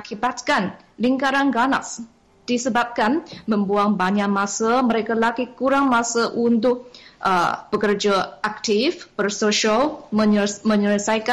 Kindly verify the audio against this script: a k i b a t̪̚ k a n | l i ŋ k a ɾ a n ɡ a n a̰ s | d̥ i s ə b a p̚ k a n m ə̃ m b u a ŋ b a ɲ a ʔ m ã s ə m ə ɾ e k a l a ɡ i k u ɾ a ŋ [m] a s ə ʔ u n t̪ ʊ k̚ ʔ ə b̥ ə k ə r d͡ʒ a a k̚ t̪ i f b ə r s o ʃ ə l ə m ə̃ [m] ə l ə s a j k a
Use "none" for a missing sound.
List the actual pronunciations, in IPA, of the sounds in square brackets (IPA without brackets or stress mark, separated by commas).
m, ɲ